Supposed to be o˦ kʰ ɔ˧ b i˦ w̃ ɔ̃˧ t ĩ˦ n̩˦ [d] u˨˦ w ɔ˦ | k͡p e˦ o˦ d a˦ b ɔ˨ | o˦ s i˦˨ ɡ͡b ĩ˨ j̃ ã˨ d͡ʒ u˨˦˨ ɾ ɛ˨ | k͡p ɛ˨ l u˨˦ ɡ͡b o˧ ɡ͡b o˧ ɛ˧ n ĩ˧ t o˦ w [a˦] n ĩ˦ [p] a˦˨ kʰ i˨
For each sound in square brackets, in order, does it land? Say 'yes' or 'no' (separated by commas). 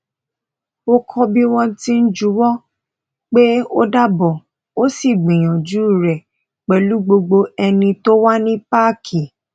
no, yes, yes